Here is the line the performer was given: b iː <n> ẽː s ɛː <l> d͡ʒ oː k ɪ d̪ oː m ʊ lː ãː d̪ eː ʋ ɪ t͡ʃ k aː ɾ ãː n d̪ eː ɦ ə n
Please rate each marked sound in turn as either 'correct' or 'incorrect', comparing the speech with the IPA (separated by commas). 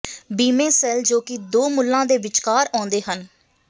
incorrect, correct